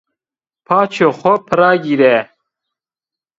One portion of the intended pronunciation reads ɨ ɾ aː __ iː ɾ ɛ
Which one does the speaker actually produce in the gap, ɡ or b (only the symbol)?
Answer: ɡ